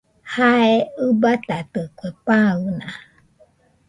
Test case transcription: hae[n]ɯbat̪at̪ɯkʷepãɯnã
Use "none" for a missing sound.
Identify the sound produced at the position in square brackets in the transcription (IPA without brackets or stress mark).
none